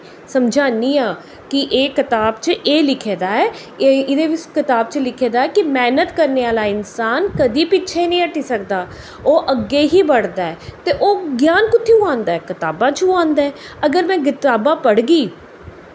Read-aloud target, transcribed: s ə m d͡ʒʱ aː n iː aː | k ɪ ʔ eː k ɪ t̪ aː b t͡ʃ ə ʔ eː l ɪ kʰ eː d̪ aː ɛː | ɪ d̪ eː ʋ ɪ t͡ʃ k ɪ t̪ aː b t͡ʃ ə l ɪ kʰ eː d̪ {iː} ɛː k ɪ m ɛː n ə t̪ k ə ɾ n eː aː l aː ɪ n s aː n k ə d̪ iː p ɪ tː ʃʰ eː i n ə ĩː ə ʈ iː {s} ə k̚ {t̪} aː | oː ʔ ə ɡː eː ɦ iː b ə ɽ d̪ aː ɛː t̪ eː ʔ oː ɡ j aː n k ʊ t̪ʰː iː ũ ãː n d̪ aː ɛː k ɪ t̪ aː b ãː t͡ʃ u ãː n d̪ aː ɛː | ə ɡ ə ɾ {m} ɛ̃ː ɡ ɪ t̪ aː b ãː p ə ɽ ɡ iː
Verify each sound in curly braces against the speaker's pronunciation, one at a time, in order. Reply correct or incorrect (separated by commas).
incorrect, correct, incorrect, correct